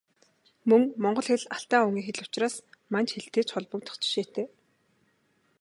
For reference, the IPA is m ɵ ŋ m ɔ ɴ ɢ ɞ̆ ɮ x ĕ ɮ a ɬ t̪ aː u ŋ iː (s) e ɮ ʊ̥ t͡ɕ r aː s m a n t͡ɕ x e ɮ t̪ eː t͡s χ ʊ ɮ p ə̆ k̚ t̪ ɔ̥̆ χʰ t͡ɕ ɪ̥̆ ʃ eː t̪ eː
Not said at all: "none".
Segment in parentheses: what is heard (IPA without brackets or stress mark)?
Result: x